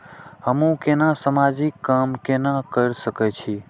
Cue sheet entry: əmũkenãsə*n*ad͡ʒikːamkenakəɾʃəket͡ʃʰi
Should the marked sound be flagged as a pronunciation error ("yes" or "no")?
yes